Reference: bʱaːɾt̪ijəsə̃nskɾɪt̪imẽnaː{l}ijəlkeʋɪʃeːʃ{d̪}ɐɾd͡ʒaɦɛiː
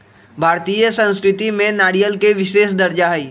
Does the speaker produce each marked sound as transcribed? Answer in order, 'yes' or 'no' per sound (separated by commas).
no, yes